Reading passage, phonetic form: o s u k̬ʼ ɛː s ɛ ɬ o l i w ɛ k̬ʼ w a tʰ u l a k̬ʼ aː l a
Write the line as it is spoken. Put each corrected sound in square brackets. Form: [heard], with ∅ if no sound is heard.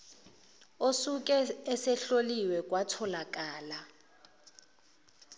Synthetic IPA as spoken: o s u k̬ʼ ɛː s ɛ ɬ o l i w ɛ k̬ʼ w a tʰ [ɔ] l a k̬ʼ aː l a

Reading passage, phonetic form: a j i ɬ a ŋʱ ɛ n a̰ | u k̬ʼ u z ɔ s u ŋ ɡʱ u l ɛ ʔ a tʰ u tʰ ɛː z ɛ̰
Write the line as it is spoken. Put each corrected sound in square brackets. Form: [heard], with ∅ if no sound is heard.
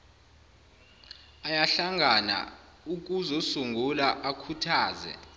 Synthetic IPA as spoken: a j [a] ɬ a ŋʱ [a] n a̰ | u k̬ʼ u z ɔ s u ŋ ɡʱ u l [a] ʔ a [kʰ] u tʰ [aː] z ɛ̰

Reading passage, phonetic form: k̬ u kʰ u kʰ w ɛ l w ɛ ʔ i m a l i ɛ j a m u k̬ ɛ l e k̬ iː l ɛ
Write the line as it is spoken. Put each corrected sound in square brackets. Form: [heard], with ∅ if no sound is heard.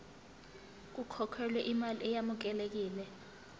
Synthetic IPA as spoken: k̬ u kʰ [ɔ] kʰ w ɛ l w ɛ ʔ i m a l i ɛ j a m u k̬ ɛ l e k̬ iː l ɛ

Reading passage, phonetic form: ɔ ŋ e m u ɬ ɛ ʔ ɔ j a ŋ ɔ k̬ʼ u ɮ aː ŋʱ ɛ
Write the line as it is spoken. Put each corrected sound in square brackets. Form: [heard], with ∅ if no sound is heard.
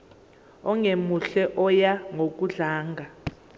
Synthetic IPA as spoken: ɔ ŋ e m u ɬ ɛ ʔ ɔ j a ŋ [o] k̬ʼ u ɮ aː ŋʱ [a]

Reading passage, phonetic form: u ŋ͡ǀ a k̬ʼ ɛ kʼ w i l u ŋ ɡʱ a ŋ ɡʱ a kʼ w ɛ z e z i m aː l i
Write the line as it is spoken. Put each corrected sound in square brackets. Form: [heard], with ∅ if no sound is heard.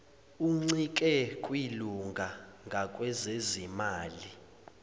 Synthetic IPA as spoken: u ŋ͡ǀ [i] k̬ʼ ɛ kʼ w i l u ŋ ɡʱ a ŋ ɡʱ a kʼ w ɛ z e z i m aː l i

